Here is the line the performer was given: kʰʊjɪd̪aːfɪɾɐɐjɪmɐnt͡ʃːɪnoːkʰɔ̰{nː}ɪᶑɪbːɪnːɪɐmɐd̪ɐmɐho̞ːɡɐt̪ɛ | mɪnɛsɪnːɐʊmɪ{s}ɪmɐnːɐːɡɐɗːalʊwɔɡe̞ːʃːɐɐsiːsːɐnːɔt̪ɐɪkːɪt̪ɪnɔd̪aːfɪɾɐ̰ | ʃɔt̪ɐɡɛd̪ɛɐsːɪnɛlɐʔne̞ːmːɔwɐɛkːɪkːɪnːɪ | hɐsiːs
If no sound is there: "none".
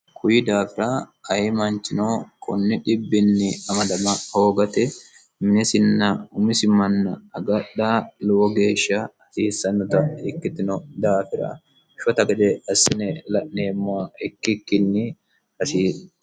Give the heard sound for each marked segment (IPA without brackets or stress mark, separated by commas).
nː, s